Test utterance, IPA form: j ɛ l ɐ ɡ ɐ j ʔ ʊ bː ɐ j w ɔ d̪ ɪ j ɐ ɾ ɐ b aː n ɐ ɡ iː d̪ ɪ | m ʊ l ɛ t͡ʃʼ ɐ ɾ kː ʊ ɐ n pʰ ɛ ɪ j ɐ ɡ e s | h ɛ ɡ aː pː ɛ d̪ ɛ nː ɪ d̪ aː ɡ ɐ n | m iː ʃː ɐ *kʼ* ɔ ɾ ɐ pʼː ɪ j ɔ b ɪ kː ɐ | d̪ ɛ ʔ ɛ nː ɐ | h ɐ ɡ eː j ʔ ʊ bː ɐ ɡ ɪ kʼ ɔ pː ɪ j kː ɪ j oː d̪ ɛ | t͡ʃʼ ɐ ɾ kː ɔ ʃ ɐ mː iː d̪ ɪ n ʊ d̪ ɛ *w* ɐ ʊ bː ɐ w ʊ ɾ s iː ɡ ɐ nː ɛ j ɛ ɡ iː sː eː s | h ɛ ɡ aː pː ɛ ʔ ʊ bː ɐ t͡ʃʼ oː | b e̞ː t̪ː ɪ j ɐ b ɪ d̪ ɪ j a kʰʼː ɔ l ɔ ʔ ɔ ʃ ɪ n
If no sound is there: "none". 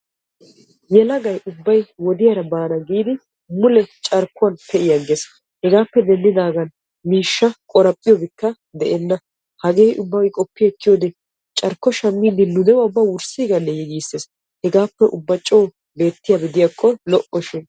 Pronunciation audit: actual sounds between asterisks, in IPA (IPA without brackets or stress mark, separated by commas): kʼ, w